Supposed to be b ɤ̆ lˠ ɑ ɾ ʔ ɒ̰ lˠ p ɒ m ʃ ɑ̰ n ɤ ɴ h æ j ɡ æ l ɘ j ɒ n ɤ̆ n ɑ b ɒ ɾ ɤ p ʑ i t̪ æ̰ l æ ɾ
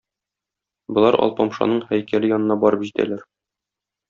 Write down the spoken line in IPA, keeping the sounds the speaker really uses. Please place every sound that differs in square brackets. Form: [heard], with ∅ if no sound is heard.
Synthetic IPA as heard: b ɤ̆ lˠ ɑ ɾ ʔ ɒ̰ lˠ p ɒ m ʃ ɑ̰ n ɤ ɴ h æ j [k] æ l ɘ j ɒ n ɤ̆ n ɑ b ɒ ɾ ɤ p ʑ i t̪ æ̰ l æ ɾ